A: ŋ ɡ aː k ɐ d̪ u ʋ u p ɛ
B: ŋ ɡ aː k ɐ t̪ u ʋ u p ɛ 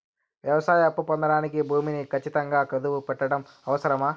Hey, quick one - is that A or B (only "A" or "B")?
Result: A